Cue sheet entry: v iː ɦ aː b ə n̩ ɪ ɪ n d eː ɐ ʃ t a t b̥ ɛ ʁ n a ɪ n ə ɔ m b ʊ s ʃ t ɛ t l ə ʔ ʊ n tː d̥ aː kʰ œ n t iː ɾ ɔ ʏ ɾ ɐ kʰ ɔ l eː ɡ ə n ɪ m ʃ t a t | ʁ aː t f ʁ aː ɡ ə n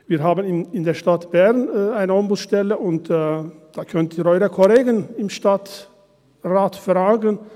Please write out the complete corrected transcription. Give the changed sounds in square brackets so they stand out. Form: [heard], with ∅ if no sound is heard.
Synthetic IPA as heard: v iː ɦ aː b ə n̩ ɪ ɪ n d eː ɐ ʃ t a t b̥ ɛ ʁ n a ɪ n ə ɔ m b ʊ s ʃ t ɛ [∅] l ə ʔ ʊ n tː d̥ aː kʰ œ n t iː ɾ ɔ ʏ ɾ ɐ kʰ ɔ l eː ɡ ə n ɪ m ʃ t a t | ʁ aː t f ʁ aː ɡ ə n

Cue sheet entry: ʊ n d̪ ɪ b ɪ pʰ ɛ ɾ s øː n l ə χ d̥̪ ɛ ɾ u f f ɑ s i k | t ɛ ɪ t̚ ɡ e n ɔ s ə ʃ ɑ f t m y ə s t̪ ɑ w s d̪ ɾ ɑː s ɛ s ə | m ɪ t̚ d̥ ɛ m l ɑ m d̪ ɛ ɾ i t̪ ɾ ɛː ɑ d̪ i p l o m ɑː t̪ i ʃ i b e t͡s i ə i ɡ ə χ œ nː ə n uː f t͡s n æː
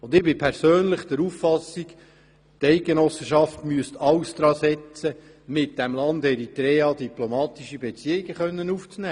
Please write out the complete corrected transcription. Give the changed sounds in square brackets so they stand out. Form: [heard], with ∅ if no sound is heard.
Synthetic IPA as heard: ʊ n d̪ ɪ b ɪ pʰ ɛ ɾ s øː n l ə χ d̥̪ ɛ ɾ u f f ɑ s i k | t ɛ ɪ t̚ ɡ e n ɔ s ə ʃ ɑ f t m y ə s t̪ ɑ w s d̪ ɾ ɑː s ɛ [t͡s] ə | m ɪ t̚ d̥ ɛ m l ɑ [n] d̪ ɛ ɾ i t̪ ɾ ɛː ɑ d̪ i p l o m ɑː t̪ i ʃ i b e t͡s i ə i ɡ ə χ œ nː ə n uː f t͡s n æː

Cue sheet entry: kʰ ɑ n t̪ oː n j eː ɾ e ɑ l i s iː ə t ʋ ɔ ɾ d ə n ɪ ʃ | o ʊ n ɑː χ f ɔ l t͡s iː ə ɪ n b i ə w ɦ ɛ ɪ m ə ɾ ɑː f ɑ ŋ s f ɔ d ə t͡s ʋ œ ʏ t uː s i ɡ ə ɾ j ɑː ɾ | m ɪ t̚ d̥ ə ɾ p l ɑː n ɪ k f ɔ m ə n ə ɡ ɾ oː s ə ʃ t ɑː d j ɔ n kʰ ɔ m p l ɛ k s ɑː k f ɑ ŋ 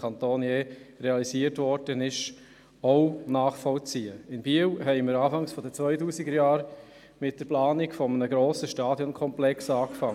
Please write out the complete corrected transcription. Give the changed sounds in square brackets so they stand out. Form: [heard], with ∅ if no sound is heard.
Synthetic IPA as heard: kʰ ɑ n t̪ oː n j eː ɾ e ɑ l i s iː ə t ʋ ɔ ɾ d ə n ɪ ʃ | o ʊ n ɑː χ f ɔ l t͡s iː ə ɪ n b i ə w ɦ ɛ ɪ m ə ɾ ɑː f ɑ ŋ s f ɔ d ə t͡s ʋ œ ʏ t uː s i ɡ ə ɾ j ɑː ɾ | m ɪ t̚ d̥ ə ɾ p l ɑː n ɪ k f ɔ m ə n ə ɡ ɾ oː s ə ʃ t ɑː d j ɔ n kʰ ɔ m p l ɛ k s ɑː k f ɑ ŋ

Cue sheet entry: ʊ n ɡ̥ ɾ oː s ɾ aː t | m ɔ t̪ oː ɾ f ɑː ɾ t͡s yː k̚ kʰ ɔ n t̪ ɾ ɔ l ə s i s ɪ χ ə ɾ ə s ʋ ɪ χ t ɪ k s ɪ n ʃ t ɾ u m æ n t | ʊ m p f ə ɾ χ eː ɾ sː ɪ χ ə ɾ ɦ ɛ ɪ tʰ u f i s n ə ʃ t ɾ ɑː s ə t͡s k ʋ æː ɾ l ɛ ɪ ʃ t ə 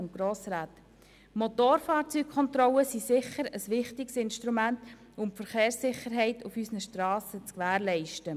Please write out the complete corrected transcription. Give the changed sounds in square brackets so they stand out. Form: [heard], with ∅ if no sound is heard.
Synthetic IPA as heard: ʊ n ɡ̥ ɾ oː s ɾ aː t | m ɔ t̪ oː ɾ f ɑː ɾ t͡s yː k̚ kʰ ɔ n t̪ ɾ ɔ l ə s i s ɪ χ ə ɾ ə s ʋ ɪ χ t ɪ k s ɪ n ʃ t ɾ u m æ n t | ʊ m p f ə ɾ χ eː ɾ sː ɪ χ ə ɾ ɦ ɛ ɪ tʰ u f [y] s n ə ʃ t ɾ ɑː s ə t͡s k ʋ æː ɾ l ɛ ɪ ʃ t ə

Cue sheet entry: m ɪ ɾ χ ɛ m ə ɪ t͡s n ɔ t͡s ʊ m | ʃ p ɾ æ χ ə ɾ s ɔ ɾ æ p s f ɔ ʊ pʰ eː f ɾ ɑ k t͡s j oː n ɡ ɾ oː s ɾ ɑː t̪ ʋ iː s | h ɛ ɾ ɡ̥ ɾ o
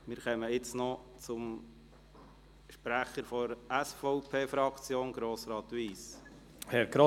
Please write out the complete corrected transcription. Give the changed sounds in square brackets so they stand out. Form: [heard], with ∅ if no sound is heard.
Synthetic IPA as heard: m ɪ ɾ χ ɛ m ə ɪ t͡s n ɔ t͡s ʊ m | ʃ p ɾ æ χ ə ɾ [f] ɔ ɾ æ [∅] s f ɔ ʊ pʰ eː f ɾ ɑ k t͡s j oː n ɡ ɾ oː s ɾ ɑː t̪ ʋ iː s | h ɛ ɾ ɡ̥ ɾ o

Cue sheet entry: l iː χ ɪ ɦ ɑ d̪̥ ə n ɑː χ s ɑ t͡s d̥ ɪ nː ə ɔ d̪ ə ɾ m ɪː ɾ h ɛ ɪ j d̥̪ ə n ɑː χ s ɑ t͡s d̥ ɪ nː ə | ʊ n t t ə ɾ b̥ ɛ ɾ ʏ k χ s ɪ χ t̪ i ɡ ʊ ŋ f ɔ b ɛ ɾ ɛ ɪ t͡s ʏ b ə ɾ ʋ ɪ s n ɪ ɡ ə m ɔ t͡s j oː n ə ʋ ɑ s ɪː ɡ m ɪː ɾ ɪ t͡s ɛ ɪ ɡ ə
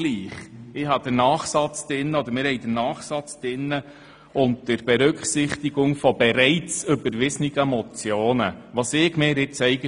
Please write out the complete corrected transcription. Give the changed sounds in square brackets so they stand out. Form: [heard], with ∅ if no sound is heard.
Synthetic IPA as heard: l iː χ ɪ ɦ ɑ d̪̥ ə n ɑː χ s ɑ t͡s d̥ ɪ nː ə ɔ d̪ ə ɾ m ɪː ɾ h ɛ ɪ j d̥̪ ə n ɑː χ s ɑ t͡s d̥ ɪ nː ə | ʊ n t t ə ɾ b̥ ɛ ɾ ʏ k χ s ɪ χ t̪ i ɡ ʊ ŋ f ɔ b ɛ ɾ ɛ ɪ t͡s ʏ b ə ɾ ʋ ɪ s n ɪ ɡ ə m ɔ t͡s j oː n ə ʋ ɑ s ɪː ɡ m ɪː ɾ ɪ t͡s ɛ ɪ ɡ ə

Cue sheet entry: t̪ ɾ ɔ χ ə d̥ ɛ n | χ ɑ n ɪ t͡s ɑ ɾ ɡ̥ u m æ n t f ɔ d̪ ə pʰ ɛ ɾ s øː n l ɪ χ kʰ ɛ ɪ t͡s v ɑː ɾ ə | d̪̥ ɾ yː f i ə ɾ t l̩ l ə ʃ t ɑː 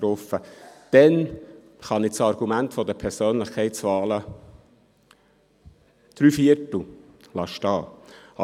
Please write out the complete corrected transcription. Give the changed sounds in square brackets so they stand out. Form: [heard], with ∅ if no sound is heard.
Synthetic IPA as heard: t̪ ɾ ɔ [f] ə d̥ ɛ n | χ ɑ n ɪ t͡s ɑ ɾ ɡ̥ u m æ n t f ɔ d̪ ə pʰ ɛ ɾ s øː n l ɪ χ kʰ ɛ ɪ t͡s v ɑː [l] ə | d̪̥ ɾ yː f i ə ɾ t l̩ l [ɑ] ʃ t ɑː

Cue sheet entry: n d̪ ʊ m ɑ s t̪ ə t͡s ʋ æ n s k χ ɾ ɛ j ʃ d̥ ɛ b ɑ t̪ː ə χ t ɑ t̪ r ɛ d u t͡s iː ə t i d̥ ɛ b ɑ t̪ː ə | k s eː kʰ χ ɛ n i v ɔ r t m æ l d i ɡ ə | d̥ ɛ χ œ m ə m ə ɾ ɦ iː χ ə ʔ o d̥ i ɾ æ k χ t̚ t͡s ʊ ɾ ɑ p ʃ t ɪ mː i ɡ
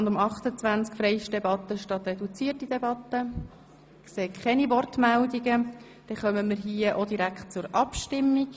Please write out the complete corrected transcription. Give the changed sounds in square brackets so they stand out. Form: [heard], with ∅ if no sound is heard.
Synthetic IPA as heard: n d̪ ʊ m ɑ [χ] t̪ ə t͡s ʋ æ n [t͡s] k [f] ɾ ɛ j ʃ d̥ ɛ b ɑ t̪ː ə [ʃ] t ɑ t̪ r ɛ d u t͡s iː ə t i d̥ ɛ b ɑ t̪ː ə | k s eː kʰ χ ɛ n i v ɔ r t m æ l d i ɡ ə | d̥ ɛ χ œ m ə m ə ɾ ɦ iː [∅] ə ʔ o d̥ i ɾ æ k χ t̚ t͡s ʊ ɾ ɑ p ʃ t ɪ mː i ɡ

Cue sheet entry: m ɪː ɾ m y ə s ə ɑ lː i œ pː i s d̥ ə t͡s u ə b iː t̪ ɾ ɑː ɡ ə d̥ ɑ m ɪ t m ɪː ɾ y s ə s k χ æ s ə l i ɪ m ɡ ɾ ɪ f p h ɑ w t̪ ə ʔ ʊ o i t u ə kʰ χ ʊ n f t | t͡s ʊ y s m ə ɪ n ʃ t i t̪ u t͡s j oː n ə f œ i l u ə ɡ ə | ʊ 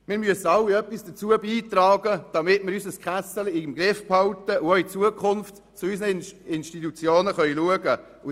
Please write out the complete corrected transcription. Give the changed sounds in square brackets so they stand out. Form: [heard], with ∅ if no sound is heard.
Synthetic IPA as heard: m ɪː ɾ m y ə s ə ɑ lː i œ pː i s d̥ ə t͡s u ə b iː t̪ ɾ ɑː ɡ ə d̥ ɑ m ɪ t m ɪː ɾ y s ə s k χ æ s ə l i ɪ m ɡ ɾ ɪ f p h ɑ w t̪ ə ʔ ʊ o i [t͡s] u ə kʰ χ ʊ n f t | t͡s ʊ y s [n] ə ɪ n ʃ t i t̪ u t͡s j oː n ə [χ] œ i l u ə ɡ ə | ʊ

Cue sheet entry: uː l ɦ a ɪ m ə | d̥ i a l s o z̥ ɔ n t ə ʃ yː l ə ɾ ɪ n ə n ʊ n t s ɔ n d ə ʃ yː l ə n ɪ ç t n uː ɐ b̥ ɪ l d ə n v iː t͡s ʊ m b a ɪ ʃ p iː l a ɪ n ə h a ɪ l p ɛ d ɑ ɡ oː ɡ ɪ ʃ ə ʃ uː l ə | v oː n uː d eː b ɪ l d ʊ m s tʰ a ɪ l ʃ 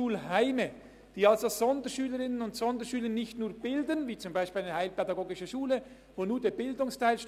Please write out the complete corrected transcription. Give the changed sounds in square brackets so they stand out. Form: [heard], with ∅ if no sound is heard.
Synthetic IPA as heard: uː l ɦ a ɪ m ə | d̥ [iː] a l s o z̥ ɔ n [d] ə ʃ yː l ə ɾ ɪ n ə n ʊ n t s ɔ n d ə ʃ yː l ə n ɪ ç t n uː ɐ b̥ ɪ l d ə n v iː t͡s ʊ m b a ɪ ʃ p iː l a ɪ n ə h a ɪ l p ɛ d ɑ ɡ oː ɡ ɪ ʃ ə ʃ uː l ə | v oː n uː d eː b ɪ l d ʊ [ŋ] s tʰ a ɪ l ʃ

